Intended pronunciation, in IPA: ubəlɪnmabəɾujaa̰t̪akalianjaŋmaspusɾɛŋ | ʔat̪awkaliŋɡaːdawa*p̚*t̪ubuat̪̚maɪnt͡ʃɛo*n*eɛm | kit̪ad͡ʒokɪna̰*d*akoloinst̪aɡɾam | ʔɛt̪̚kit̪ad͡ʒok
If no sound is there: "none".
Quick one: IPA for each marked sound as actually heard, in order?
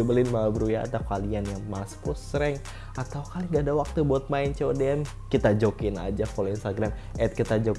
k̚, d, d͡ʒ

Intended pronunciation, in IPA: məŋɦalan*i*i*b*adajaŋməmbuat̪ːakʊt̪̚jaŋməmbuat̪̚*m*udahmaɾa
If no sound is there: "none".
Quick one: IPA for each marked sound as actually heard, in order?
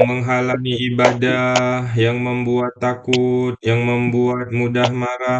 i, b, m

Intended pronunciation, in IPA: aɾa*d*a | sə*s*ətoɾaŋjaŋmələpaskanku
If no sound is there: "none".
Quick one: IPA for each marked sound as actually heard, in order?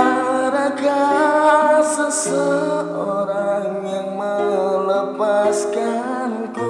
ɡ, s

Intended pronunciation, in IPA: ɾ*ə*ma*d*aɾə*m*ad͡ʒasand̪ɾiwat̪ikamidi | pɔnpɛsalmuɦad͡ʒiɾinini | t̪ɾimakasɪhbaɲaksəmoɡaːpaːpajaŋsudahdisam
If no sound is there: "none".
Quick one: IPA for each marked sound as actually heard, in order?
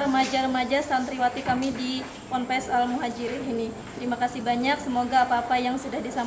ə, d͡ʒ, m

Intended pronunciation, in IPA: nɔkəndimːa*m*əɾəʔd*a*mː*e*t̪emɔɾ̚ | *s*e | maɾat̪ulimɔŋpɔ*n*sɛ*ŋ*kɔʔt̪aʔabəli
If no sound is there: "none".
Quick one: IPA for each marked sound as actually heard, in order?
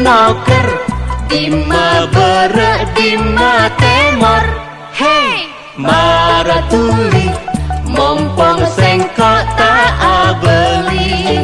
b, i, a, h, ŋ, ŋ

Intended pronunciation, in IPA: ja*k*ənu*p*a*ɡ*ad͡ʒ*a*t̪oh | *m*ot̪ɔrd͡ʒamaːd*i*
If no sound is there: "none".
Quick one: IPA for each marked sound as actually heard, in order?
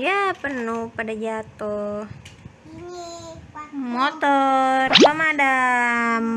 p, p, d, a, m, a

